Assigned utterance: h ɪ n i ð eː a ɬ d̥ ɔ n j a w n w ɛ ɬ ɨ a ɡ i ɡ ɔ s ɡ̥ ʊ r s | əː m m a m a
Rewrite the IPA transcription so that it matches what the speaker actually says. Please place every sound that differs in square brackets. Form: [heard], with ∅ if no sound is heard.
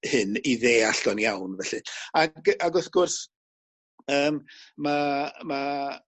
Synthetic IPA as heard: h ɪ n i ð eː a ɬ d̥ ɔ n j a w n [v] ɛ ɬ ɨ a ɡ [a] ɡ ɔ [θ] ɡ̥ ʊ r s | əː m m a m a